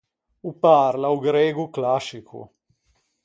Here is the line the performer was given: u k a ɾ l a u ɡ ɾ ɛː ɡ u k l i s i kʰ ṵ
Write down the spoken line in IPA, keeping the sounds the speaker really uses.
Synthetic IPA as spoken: u p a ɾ l a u ɡ ɾ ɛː ɡ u k l a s i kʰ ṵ